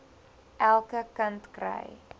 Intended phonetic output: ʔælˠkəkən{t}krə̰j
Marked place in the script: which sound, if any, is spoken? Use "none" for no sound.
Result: t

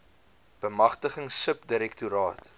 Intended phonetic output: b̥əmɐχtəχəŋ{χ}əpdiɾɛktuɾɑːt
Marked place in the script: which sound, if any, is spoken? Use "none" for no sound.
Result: s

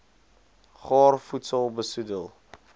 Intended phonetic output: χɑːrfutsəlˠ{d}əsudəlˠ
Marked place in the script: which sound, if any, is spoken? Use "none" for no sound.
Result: b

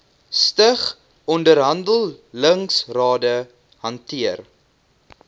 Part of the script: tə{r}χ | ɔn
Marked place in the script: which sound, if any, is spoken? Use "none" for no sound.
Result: none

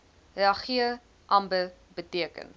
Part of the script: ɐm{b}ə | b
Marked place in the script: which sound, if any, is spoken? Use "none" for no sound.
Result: b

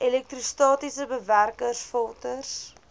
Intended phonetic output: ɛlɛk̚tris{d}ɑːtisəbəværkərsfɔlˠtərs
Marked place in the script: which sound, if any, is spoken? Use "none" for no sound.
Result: t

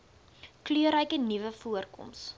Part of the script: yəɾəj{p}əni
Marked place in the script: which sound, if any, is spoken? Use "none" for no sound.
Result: k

